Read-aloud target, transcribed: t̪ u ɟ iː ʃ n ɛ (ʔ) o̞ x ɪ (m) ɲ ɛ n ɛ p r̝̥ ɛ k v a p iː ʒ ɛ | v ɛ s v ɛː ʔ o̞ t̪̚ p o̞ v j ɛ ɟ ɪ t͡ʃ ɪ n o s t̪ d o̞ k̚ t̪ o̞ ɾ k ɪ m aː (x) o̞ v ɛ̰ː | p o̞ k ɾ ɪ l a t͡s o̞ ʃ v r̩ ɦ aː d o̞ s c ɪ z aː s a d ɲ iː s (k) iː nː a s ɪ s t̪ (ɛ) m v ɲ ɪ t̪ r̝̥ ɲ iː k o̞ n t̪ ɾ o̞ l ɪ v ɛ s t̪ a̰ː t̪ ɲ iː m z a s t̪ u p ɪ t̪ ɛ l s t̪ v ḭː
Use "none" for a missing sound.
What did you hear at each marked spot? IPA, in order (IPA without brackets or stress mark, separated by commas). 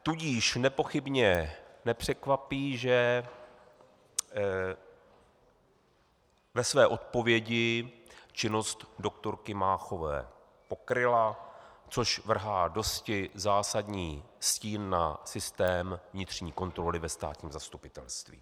p, b, x, c, ɛː